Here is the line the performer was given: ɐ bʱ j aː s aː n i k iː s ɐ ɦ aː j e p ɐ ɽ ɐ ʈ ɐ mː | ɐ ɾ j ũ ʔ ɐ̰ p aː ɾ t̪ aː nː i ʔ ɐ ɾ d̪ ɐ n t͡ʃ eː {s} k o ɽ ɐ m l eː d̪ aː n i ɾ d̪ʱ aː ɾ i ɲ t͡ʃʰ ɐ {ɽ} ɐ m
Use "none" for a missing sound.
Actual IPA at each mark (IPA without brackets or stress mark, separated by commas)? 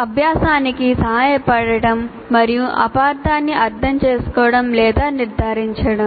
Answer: s, ɽ